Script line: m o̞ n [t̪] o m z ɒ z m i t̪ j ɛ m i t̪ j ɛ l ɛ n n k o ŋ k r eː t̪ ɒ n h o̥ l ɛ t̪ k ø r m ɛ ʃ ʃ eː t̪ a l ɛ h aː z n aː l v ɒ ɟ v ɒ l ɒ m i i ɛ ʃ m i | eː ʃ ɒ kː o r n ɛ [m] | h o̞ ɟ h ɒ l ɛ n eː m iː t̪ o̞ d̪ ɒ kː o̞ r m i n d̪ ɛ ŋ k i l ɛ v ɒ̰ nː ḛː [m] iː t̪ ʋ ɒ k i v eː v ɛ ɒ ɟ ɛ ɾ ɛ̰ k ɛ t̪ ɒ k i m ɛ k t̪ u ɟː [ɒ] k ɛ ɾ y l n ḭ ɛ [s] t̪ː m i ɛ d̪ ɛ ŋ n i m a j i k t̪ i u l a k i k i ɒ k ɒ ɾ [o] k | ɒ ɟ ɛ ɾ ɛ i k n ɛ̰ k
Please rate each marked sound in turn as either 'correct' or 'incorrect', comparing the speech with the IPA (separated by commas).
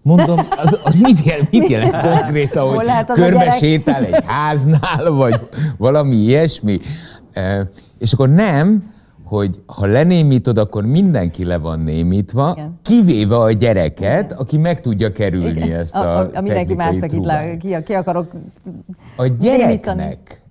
incorrect, correct, correct, correct, correct, correct